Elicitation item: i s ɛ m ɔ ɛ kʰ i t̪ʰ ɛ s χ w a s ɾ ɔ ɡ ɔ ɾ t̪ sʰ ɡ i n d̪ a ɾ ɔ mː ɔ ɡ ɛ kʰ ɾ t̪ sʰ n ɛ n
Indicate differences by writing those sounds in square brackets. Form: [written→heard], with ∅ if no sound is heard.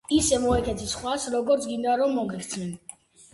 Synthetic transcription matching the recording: i s ɛ m ɔ ɛ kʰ [i→ɛ] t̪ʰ [ɛ→i] s χ w a s ɾ ɔ ɡ ɔ ɾ t̪ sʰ ɡ i n d̪ a ɾ ɔ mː ɔ ɡ ɛ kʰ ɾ t̪ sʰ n ɛ n